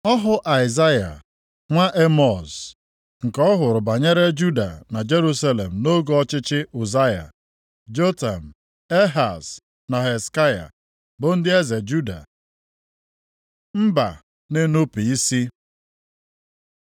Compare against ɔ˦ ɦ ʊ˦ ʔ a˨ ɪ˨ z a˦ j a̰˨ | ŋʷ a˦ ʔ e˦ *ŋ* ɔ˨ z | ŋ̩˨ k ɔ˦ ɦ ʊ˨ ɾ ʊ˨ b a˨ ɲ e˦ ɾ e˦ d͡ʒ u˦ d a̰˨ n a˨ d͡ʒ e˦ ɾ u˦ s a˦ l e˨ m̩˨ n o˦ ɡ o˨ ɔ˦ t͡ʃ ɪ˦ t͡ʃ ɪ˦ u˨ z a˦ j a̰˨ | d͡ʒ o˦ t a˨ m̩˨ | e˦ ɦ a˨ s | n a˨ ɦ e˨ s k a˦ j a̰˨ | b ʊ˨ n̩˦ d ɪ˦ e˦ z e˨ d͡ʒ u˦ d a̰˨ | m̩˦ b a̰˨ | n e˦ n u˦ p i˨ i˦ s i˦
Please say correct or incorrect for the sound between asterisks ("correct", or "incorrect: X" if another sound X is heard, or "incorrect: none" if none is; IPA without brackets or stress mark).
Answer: incorrect: m